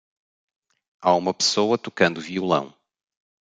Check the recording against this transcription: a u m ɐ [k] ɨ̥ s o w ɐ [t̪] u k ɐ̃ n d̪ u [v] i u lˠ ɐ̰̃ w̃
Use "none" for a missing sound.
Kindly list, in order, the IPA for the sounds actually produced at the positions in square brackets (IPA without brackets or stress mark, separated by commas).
p, t̪, v